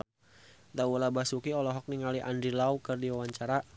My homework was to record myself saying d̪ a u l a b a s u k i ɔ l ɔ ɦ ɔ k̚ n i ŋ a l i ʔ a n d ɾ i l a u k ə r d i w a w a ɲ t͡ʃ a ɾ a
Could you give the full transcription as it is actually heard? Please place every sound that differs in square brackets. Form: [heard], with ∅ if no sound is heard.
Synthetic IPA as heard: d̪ a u l a b a s u k i ɔ l ɔ ɦ ɔ k̚ n i ŋ a l i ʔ a n d ɾ i l a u k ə r d i w a w a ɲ t͡ʃ a ɾ a